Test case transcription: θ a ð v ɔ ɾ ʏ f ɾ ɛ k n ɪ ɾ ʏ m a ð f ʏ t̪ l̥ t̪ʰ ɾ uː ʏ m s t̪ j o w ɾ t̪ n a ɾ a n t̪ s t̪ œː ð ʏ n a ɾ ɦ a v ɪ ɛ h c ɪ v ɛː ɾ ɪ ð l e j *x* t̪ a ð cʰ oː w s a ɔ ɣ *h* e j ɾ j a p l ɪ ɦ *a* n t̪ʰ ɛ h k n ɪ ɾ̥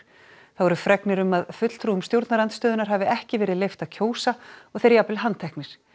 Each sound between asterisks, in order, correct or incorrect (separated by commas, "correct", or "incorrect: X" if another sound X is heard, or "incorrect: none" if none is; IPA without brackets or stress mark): incorrect: f, incorrect: θ, correct